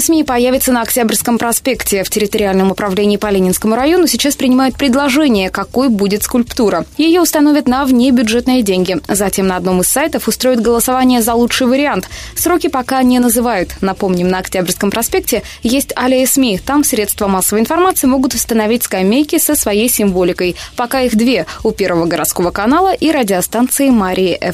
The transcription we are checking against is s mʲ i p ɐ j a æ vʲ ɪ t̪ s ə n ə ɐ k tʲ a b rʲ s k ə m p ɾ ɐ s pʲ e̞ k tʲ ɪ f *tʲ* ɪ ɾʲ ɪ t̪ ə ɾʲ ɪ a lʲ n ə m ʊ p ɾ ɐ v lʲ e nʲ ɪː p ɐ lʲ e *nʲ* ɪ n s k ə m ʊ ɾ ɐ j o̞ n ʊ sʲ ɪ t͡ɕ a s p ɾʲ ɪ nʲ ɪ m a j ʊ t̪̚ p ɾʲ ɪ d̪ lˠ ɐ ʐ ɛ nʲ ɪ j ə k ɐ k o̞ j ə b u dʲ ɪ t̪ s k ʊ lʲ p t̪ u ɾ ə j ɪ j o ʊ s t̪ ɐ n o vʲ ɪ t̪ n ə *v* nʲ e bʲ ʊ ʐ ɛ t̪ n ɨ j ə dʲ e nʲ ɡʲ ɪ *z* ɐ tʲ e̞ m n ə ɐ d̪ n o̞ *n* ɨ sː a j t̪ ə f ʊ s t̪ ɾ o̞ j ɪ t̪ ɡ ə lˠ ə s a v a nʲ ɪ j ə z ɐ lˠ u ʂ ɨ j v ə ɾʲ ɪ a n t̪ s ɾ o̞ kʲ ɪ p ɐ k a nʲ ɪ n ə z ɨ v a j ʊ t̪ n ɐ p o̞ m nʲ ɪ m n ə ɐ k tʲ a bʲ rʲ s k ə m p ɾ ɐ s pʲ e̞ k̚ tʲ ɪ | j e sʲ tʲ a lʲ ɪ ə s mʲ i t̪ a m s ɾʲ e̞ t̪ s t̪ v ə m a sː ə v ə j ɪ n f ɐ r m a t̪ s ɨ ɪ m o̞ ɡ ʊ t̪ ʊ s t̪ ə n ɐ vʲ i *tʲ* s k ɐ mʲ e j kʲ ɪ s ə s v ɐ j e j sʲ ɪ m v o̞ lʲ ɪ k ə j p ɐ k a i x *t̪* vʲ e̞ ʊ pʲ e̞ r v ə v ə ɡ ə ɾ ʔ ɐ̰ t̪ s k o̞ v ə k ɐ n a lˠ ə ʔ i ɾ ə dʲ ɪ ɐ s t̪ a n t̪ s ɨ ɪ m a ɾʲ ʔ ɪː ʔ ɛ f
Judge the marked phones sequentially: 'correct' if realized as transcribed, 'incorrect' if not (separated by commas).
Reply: correct, correct, correct, correct, incorrect, correct, incorrect